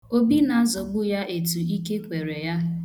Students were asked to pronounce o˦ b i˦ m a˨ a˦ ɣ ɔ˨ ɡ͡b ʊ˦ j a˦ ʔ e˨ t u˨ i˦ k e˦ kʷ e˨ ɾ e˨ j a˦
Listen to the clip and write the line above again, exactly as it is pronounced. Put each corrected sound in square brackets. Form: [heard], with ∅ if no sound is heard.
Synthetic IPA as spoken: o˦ b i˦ [n] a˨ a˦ [z] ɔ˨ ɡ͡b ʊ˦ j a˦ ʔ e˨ t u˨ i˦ k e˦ kʷ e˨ ɾ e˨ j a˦